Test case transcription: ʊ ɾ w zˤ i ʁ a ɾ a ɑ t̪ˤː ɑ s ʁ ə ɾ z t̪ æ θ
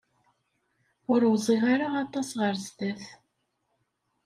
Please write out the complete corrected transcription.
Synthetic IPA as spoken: ʊ ɾ w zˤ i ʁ a ɾ a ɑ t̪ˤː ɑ s ʁ ə ɾ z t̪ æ θ